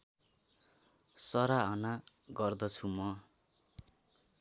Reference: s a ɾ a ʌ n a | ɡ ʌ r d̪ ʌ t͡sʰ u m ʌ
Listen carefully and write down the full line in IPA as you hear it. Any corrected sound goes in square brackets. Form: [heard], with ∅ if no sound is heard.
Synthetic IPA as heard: s [ʌ] ɾ a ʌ n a | ɡ ʌ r d̪ ʌ t͡sʰ u m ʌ